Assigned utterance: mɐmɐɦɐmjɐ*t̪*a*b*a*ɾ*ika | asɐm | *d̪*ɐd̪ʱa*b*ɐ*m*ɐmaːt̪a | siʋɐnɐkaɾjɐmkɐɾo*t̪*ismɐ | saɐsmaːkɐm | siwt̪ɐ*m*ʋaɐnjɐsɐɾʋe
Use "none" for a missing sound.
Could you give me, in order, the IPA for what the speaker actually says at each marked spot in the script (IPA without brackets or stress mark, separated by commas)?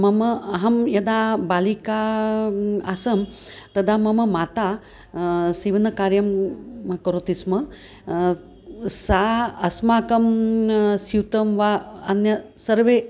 d̪, b, l, t̪, m, m, t̪, m